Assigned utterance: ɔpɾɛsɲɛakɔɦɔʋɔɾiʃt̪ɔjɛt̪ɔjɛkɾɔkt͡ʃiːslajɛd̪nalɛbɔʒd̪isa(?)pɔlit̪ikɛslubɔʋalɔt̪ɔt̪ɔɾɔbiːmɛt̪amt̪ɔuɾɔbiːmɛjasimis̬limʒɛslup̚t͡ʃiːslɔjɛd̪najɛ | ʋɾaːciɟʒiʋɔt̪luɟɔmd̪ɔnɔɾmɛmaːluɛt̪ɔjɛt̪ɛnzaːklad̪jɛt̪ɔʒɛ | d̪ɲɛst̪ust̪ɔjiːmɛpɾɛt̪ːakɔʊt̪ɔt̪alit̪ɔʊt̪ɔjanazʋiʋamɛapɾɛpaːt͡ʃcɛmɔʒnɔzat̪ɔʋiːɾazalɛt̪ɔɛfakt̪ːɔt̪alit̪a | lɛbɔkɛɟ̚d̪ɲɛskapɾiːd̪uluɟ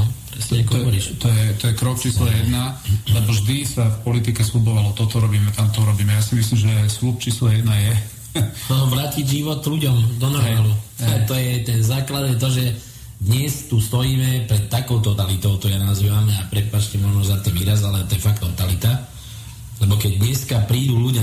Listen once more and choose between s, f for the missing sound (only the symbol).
f